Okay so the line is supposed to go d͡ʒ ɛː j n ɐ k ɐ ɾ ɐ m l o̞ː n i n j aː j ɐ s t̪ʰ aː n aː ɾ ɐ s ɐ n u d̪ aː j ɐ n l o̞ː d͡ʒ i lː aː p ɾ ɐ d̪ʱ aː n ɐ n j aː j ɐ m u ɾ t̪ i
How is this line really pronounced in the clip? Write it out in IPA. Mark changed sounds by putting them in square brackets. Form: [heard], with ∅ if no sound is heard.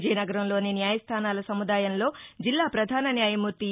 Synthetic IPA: d͡ʒ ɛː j n ɐ [ɡ] ɐ ɾ ɐ m l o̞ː n i n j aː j ɐ s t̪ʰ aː n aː [l] ɐ s ɐ [m] u d̪ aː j ɐ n l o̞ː d͡ʒ i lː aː p ɾ ɐ d̪ʱ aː n ɐ n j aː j ɐ m u ɾ t̪ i